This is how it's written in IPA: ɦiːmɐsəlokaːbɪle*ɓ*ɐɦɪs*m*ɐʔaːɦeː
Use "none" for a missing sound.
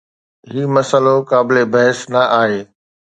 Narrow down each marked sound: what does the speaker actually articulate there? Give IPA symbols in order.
b, n

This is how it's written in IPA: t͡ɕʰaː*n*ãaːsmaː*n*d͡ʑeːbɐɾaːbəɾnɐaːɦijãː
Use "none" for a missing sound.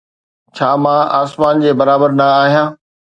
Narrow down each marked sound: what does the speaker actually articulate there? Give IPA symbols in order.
m, n

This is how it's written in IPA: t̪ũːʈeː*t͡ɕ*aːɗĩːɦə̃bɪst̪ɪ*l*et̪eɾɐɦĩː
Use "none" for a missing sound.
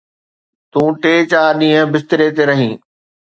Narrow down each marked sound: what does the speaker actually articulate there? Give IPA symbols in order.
t͡ɕ, ɾ

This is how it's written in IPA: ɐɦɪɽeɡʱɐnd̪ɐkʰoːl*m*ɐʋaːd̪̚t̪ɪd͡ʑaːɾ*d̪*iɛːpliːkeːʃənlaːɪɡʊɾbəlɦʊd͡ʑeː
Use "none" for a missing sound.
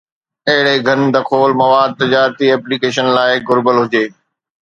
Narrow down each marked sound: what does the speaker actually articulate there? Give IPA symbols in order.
m, t̪

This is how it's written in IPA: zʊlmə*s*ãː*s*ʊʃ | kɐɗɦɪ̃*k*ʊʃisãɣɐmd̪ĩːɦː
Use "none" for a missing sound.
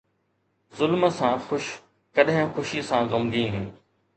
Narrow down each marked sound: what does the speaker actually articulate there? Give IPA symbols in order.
s, x, x

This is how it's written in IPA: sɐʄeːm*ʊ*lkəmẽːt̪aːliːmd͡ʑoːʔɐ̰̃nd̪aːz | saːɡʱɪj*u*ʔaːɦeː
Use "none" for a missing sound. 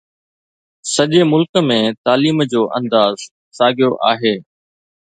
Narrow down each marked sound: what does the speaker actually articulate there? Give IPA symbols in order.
ʊ, o

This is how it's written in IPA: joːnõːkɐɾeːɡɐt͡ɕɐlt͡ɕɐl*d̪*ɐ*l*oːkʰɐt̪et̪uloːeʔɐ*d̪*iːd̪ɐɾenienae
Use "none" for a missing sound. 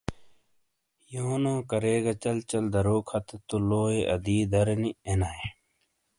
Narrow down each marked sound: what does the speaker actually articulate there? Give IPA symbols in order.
d̪, ɾ, d̪

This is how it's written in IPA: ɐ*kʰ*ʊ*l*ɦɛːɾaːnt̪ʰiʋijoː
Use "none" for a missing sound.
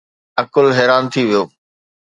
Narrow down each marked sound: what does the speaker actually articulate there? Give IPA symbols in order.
k, l

